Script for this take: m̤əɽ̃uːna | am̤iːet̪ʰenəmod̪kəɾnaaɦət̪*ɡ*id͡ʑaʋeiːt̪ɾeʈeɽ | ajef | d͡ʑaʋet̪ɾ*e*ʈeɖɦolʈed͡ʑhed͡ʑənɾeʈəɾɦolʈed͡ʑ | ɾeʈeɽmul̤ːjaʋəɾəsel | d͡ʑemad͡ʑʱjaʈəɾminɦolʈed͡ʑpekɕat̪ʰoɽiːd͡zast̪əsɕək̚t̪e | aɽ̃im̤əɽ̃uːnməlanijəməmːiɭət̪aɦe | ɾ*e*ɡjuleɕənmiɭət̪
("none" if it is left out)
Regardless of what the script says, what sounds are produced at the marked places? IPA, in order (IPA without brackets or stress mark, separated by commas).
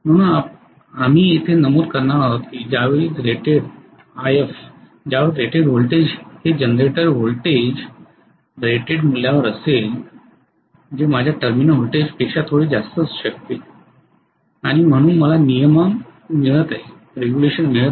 k, e, e